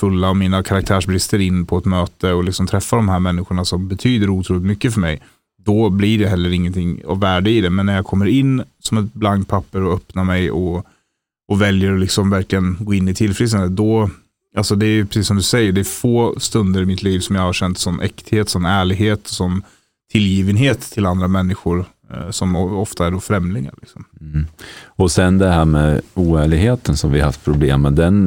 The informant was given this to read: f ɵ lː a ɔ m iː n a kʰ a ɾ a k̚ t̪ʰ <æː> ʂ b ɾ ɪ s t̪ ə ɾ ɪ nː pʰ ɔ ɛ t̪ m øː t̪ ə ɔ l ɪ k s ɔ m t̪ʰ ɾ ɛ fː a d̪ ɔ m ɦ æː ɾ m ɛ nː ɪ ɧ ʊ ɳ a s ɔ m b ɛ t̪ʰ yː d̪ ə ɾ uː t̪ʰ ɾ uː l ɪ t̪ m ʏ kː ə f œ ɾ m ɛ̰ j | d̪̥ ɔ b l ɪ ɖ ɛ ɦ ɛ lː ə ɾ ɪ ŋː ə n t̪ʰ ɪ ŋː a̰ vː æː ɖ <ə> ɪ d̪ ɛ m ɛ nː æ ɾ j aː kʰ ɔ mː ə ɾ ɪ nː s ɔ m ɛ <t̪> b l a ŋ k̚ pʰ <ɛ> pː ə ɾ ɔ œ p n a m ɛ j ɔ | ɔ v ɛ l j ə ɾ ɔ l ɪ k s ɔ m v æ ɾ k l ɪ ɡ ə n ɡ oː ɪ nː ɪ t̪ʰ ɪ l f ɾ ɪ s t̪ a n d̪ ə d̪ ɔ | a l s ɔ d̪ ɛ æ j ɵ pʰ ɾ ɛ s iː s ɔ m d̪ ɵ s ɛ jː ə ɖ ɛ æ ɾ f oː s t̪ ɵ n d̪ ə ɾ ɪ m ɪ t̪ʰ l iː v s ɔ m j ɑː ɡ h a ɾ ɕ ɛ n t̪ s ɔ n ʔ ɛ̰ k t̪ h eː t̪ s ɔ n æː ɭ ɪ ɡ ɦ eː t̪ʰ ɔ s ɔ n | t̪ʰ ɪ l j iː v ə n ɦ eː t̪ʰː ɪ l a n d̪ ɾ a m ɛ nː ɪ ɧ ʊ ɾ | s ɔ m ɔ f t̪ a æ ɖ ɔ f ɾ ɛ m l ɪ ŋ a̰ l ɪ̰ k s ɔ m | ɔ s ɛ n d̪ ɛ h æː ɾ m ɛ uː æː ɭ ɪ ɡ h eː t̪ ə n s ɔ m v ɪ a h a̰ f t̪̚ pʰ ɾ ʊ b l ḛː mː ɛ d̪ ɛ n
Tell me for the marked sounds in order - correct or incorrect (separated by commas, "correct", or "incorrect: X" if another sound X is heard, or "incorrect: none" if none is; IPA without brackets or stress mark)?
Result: correct, correct, correct, incorrect: a